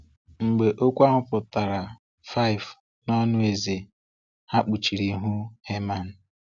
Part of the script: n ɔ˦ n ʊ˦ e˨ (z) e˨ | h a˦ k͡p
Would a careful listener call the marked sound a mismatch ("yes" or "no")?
no